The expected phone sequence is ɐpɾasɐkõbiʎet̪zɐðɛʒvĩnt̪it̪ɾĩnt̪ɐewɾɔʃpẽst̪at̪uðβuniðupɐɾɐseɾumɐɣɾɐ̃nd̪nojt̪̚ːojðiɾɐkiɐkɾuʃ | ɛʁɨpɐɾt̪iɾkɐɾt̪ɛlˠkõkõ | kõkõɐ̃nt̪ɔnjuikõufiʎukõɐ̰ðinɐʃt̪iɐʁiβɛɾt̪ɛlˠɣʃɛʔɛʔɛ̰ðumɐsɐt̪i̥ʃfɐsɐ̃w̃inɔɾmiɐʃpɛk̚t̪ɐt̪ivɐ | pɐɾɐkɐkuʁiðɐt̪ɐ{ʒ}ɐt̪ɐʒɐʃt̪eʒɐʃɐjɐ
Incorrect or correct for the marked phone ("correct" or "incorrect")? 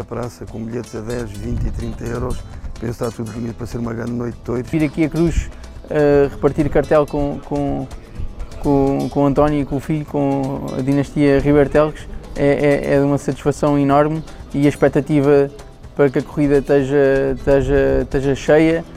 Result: correct